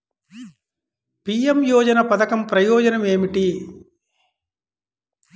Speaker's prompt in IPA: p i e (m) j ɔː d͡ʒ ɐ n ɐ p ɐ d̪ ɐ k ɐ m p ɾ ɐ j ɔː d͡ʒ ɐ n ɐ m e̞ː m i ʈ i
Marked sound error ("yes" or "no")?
no